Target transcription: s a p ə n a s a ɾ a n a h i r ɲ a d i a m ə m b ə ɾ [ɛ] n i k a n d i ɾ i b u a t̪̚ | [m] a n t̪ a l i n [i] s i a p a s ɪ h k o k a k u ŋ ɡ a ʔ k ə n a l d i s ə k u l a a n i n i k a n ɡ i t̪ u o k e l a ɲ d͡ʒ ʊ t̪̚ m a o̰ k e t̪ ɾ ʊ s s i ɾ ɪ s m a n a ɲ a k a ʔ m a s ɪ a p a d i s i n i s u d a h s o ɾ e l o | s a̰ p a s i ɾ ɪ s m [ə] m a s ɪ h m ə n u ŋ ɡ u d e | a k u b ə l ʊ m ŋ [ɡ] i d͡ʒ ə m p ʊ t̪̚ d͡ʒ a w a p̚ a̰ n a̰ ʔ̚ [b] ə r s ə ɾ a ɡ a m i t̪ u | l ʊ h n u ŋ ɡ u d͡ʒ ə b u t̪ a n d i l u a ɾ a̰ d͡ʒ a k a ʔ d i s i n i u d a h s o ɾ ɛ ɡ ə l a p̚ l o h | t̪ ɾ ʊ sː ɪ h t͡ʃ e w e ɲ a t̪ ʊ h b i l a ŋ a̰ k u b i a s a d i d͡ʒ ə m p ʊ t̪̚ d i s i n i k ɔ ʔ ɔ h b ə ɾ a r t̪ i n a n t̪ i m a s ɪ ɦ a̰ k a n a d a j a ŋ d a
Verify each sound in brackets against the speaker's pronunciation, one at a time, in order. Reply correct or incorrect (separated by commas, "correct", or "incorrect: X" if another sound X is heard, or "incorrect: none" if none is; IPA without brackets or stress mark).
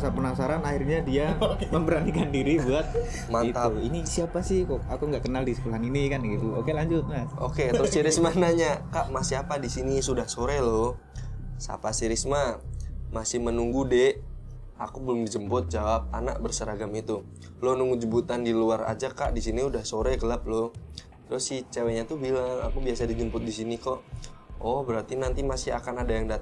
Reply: incorrect: a, correct, correct, incorrect: a, incorrect: d, correct